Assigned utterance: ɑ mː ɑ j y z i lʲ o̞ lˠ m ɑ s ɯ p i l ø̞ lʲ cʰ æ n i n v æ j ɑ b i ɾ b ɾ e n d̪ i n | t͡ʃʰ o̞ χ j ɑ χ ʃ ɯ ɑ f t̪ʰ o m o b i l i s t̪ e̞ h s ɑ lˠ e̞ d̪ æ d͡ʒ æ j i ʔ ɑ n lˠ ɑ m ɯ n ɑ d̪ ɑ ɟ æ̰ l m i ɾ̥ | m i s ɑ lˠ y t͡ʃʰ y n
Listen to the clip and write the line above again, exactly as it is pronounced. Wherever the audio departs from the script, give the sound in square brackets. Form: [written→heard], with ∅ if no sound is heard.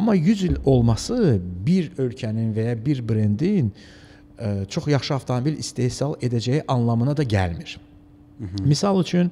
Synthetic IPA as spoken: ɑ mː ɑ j y z i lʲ o̞ lˠ m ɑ s ɯ [p→b] i [l→ɾ] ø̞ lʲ cʰ æ n i n v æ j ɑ b i ɾ b ɾ e n d̪ i n | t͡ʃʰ o̞ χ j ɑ χ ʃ ɯ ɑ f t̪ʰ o m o b i l i s t̪ e̞ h s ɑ lˠ e̞ d̪ æ d͡ʒ æ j i ʔ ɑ n lˠ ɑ m ɯ n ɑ d̪ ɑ ɟ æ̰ l m i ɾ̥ | m i s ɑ lˠ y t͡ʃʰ y n